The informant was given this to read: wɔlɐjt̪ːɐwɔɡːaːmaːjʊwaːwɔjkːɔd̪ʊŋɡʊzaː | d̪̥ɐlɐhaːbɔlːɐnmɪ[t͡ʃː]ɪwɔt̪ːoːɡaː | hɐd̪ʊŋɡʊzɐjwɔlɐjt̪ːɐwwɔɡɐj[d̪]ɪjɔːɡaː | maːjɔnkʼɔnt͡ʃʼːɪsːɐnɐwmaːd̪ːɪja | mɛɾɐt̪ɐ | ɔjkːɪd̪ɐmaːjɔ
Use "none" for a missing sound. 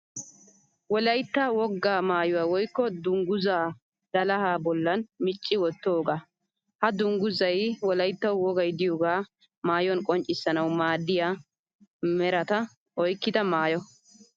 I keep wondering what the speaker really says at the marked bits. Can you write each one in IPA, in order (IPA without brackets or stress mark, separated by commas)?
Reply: t͡ʃʼː, d̪